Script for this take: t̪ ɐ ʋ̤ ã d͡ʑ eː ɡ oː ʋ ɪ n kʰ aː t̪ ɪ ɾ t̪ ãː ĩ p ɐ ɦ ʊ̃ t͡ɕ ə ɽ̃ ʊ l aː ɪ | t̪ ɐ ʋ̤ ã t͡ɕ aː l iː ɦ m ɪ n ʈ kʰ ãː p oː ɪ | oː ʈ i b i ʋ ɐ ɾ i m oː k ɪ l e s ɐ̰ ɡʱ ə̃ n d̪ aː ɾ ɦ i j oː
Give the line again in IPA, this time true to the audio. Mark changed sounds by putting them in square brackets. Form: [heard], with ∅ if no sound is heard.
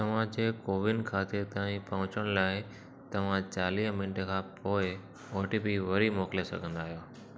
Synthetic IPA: t̪ ɐ ʋ̤ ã d͡ʑ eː [k] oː ʋ ɪ n kʰ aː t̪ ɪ ɾ t̪ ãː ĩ p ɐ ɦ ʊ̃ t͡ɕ ə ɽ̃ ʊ l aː ɪ | t̪ ɐ ʋ̤ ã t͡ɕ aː l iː ɦ m ɪ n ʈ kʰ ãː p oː ɪ | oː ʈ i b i ʋ ɐ ɾ i m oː k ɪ l e s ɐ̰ ɡʱ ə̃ n d̪ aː [∅] ɦ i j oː